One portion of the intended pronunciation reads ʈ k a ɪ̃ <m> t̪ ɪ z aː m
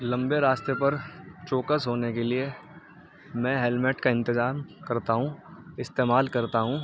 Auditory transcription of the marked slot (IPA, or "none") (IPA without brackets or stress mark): n